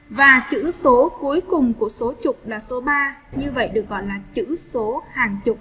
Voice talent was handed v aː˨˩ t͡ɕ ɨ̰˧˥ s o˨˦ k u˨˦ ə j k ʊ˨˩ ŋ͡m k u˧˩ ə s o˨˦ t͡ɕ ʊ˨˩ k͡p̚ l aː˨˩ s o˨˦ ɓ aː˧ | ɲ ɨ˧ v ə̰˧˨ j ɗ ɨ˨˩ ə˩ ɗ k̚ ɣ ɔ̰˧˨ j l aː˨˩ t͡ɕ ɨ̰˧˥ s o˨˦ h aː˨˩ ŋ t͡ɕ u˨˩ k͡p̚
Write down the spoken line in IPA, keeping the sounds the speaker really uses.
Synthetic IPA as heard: v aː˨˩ t͡ɕ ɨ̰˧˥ s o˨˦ k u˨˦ ə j k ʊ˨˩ ŋ͡m k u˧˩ ə s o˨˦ t͡ɕ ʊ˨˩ k͡p̚ l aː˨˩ s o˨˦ ɓ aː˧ | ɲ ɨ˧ v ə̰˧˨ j ɗ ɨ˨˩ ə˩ k̚ ɣ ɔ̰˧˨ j l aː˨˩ t͡ɕ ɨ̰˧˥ s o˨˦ h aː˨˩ ŋ t͡ɕ ʊ˨˩ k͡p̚